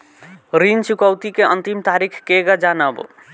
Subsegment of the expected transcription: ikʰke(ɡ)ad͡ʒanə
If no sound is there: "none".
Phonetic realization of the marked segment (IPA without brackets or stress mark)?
ɡ